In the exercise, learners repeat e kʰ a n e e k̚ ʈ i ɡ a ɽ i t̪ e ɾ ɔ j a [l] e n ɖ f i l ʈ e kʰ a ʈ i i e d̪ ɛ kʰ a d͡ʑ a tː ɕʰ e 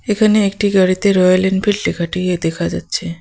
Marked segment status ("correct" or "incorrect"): correct